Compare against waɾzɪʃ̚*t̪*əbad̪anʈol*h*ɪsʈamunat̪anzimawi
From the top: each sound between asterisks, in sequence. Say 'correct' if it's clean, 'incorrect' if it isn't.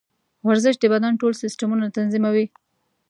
incorrect, incorrect

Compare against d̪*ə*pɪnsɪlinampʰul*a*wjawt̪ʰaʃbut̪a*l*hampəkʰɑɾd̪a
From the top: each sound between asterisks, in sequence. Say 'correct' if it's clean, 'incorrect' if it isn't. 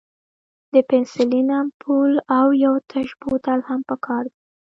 correct, correct, correct

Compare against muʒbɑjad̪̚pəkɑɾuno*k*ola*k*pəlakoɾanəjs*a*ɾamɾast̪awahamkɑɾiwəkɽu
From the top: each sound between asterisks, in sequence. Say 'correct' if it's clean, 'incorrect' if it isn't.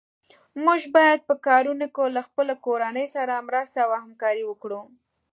correct, incorrect, correct

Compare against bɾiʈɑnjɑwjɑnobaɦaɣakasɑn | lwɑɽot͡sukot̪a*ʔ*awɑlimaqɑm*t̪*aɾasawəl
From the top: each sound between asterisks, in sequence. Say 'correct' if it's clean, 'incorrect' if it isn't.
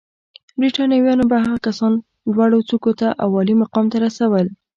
correct, correct

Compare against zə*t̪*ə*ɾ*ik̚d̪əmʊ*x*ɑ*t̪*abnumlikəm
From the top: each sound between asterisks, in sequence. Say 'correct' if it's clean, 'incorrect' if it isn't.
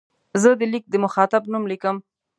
incorrect, incorrect, correct, correct

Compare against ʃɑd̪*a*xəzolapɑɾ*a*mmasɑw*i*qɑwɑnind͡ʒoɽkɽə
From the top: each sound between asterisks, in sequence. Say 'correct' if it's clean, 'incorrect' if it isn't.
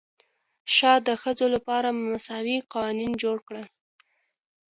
incorrect, correct, correct

